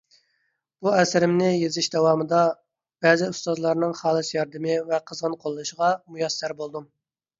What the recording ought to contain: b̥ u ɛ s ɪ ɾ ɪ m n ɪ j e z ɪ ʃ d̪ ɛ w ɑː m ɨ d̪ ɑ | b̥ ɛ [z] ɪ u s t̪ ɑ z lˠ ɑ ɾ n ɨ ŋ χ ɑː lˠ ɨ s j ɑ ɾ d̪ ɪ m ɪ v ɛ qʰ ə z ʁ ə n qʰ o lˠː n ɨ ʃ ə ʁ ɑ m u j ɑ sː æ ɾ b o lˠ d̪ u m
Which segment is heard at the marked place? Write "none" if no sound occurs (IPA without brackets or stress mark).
z